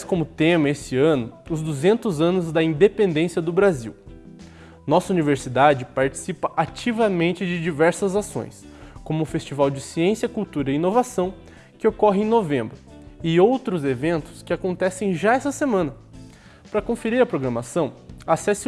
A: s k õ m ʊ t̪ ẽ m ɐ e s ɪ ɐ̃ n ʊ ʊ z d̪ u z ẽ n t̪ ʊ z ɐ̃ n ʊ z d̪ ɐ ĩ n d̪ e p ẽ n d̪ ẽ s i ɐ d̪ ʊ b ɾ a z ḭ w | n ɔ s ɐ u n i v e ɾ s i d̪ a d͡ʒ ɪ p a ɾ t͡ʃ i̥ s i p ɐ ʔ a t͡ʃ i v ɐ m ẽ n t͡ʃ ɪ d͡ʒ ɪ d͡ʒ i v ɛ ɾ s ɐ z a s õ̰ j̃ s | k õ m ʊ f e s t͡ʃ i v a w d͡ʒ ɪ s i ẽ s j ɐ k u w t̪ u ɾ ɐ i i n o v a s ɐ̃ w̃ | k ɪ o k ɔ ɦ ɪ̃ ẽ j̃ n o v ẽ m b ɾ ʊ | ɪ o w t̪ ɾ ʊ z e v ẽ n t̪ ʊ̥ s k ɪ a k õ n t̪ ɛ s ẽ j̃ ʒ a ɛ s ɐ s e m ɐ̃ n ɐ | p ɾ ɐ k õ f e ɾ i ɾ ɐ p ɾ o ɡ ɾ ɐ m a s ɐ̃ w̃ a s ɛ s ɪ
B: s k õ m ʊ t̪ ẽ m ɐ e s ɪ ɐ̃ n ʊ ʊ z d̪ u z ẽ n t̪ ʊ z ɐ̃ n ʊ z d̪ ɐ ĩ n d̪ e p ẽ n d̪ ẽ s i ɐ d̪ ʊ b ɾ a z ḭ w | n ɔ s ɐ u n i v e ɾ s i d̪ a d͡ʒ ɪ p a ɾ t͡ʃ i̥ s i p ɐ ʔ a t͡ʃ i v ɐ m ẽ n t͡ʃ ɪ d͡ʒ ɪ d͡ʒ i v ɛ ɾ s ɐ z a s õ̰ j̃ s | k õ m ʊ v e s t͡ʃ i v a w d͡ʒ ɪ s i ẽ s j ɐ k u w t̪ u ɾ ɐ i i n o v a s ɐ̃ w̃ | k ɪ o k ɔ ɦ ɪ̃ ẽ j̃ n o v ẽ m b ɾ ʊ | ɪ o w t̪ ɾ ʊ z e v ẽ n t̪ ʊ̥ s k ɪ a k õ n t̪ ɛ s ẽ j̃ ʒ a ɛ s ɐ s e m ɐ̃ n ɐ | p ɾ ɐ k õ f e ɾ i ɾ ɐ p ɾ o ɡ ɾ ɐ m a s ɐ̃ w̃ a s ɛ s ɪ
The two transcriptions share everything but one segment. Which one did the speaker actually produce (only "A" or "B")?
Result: A